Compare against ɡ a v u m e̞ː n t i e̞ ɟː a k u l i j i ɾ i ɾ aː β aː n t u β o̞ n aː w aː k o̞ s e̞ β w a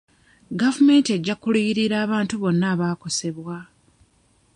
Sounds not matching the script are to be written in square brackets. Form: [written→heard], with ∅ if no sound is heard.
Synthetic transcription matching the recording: ɡ a v u m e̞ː n t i e̞ ɟː a k u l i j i ɾ i ɾ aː β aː n t u β o̞ [n→nː] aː [w→β] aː k o̞ s e̞ β w a